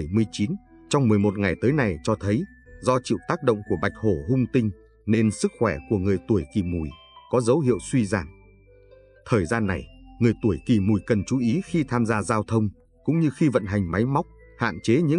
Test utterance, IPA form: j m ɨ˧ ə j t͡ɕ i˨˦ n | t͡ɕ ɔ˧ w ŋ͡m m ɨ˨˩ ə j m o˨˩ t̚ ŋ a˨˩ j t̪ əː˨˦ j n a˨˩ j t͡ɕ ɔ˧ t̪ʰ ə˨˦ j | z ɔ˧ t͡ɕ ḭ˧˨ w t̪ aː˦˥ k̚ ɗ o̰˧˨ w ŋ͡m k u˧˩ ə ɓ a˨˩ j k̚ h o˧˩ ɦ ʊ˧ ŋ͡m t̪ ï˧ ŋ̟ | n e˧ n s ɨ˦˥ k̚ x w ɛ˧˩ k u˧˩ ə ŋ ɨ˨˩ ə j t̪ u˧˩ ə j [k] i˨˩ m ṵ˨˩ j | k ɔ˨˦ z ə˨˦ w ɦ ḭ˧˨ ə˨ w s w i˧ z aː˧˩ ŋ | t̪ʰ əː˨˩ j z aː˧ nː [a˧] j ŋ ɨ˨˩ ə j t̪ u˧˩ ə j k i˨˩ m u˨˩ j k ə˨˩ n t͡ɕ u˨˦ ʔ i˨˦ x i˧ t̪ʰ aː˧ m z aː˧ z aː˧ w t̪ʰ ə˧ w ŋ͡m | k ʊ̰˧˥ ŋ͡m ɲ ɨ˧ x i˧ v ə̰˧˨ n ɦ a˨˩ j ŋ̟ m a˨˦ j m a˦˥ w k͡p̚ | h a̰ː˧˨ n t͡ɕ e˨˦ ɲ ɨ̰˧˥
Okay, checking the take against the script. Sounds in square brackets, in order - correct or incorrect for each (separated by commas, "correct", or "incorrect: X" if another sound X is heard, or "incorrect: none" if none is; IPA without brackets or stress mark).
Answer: correct, incorrect: a˨˩